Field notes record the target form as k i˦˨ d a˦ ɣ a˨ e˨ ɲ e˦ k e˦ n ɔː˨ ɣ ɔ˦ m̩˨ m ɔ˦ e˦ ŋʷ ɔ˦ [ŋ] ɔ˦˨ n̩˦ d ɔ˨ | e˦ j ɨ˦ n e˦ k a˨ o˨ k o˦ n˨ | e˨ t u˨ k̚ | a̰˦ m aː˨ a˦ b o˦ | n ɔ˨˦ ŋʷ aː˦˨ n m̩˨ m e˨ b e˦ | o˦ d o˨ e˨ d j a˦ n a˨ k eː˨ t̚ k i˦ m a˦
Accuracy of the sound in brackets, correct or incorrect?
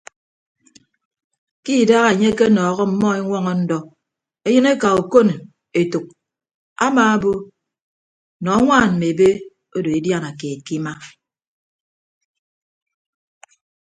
correct